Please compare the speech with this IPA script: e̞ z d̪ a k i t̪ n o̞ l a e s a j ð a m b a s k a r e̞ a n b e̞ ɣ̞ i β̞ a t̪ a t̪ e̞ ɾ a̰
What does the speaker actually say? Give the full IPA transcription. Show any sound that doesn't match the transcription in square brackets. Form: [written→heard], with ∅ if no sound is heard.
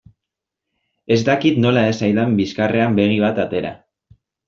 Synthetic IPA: e̞ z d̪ a k i t̪ n o̞ l a e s a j ð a m b [a→i] s k a r e̞ a [n→m] b e̞ ɣ̞ i β̞ a t̪ a t̪ e̞ ɾ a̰

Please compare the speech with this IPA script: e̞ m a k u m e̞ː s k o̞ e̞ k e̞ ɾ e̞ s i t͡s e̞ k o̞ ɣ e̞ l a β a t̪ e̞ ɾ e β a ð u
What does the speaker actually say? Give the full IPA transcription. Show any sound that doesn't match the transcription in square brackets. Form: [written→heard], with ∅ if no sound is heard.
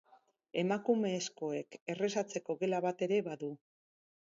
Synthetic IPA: e̞ m a k u m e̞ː s k o̞ e̞ k e̞ [ɾ→r] e̞ s [i→a] t͡s e̞ k o̞ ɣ e̞ l a β a t̪ e̞ ɾ e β a ð u

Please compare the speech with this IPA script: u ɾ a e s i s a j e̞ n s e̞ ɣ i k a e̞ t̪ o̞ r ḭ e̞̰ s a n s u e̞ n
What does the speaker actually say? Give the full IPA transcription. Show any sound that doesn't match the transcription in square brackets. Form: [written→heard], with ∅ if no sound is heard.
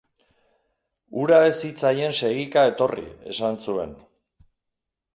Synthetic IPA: u ɾ a e s i [s→t͡s] a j e̞ n s e̞ ɣ i k a e̞ t̪ o̞ r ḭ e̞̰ s a n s u e̞ n

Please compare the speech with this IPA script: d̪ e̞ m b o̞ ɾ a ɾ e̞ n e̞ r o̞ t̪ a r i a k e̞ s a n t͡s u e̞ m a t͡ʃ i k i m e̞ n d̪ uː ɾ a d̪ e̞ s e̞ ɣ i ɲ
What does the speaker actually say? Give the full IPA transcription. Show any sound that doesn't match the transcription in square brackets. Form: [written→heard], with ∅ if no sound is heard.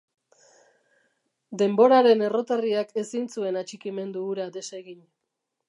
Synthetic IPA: d̪ e̞ m b o̞ ɾ a ɾ e̞ n e̞ r o̞ t̪ a r i a k e̞ s [a→i] n t͡s u e̞ [m→n] a t͡ʃ i k i m e̞ n d̪ uː ɾ a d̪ e̞ s e̞ ɣ i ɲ

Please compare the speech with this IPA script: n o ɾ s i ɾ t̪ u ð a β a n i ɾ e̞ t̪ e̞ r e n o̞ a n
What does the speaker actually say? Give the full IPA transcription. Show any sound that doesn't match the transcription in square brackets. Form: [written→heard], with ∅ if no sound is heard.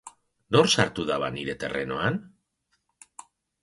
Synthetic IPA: n o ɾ s [i→a] ɾ t̪ u ð a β a n i ɾ e̞ t̪ e̞ r e n o̞ a n

